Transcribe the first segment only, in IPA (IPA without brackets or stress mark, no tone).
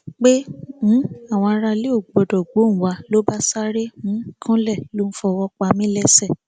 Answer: k͡p